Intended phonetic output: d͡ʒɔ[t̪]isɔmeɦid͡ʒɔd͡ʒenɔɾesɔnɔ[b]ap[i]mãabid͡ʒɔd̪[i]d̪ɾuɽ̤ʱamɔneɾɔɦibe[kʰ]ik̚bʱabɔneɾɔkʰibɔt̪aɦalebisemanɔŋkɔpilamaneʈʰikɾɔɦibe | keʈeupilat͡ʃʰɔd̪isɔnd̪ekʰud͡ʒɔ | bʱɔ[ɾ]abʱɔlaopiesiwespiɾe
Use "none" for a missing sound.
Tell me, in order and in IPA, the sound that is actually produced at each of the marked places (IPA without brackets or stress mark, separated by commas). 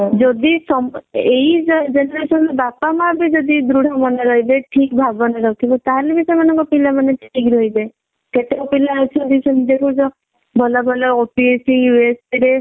d̪, b, a, i, ʈʰ, l